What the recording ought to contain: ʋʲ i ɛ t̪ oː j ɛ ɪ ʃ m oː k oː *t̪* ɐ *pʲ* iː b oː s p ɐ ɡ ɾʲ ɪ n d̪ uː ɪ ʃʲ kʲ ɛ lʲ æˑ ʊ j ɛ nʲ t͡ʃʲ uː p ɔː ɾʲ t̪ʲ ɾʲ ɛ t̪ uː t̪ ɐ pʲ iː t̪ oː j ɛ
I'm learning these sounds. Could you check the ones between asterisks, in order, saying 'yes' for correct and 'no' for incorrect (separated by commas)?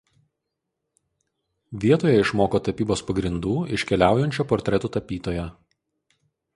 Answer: yes, yes